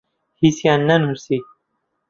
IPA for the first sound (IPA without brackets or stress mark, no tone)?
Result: h